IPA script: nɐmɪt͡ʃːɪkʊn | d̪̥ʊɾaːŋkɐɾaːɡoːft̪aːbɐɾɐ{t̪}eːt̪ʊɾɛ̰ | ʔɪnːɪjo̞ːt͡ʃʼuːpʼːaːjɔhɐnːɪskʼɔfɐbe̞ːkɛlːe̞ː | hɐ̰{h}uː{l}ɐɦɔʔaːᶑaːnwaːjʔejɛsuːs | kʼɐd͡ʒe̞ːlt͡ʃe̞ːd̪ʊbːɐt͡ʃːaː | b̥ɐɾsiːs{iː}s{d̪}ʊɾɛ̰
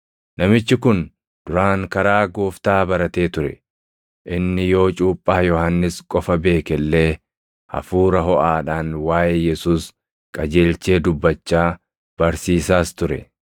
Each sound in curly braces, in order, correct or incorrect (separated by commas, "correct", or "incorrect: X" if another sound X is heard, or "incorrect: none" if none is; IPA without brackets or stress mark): correct, incorrect: f, incorrect: ɾ, incorrect: aː, incorrect: t̪